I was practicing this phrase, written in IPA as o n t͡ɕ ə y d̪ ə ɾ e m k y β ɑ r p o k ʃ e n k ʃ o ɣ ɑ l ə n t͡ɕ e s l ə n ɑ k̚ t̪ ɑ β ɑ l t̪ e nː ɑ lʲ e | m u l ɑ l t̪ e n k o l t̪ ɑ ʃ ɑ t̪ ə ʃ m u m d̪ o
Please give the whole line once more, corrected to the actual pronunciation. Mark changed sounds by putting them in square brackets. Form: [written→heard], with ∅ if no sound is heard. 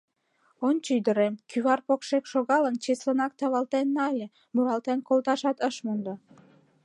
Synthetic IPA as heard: o n t͡ɕ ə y d̪ ə ɾ e m k y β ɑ r p o k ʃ e [n→∅] k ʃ o ɣ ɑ l ə n t͡ɕ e s l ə n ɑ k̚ t̪ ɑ β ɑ l t̪ e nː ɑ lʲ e | m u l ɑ l t̪ e n k o l t̪ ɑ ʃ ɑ t̪ ə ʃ m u [m→n] d̪ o